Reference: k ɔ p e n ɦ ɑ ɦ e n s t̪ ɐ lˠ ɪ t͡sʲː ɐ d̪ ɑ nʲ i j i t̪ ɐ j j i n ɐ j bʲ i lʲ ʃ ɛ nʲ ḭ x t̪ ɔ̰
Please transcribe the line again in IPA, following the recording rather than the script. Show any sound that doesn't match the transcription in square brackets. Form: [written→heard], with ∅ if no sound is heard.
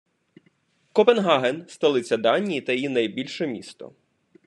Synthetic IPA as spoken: k ɔ p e n ɦ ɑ ɦ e n s t̪ ɐ lˠ ɪ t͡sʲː ɐ d̪ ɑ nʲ i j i t̪ ɐ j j i n ɐ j bʲ i lʲ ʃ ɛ [nʲ→mʲ] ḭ [x→s] t̪ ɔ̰